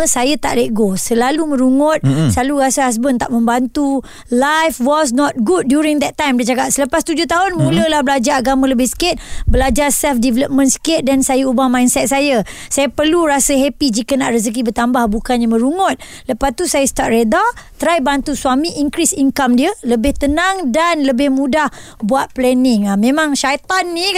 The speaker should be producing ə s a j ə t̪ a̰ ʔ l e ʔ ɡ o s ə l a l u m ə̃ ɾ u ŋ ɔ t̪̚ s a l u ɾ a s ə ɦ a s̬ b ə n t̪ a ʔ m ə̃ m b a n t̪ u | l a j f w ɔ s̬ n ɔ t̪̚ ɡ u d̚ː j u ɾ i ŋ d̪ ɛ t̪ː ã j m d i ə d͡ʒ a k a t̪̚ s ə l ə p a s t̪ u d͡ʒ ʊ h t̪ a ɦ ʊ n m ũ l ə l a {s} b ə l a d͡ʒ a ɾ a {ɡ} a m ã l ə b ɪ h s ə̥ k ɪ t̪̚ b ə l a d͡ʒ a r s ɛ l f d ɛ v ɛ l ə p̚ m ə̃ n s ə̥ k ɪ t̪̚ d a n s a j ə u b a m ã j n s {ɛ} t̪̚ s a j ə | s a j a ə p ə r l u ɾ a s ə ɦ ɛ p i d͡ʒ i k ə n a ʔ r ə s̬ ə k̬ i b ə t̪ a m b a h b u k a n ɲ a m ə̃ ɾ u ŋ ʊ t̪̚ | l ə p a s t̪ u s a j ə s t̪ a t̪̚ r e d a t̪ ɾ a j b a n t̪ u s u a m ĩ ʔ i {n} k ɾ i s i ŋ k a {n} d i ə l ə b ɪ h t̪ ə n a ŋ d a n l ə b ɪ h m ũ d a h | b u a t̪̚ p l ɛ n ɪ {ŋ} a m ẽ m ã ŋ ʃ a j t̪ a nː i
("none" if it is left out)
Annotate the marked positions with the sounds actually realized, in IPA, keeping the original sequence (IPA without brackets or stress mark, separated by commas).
h, ɡ, ɛ, ŋ, m, ŋ